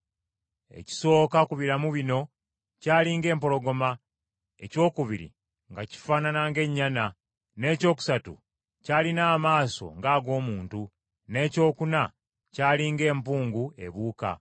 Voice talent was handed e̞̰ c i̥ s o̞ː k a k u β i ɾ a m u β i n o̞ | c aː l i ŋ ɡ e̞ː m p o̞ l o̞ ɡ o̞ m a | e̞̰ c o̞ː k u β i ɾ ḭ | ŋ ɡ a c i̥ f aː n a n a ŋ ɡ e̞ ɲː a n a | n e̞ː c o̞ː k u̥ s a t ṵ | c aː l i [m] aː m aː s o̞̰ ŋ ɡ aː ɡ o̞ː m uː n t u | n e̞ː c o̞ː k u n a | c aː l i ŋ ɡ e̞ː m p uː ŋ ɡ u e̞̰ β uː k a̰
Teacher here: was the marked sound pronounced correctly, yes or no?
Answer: no